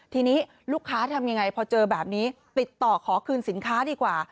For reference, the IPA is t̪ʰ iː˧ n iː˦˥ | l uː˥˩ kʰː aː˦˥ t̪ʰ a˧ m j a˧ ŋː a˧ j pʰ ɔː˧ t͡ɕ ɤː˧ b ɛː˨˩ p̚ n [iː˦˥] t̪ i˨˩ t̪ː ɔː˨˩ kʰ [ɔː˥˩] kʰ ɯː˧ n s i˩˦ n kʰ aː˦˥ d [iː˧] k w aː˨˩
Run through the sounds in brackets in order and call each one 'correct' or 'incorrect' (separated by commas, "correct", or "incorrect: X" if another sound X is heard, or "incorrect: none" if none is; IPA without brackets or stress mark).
correct, incorrect: ɔː˩˦, correct